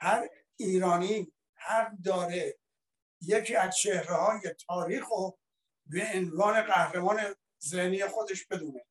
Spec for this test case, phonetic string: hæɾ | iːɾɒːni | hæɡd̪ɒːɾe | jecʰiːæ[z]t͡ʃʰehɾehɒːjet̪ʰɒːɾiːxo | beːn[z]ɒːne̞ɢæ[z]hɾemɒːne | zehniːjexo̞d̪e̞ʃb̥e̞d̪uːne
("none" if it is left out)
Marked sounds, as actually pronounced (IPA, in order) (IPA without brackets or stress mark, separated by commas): z, v, none